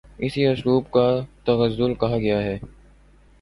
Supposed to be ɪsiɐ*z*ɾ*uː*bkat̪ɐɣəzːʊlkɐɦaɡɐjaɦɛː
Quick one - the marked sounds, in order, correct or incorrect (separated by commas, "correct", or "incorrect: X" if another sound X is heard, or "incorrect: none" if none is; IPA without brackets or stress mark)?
incorrect: s, correct